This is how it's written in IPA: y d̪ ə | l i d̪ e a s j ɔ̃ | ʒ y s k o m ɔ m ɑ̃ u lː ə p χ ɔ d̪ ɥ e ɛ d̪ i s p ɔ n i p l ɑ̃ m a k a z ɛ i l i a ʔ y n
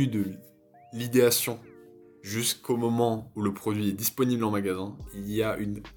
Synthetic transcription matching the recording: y d̪ ə | l i d̪ e a s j ɔ̃ | ʒ y s k o m ɔ m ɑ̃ u l ə p χ ɔ d̪ ɥ i ɛ d̪ i s p ɔ n i b l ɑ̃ m a ɡ a z ɛ̃ i l i a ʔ y n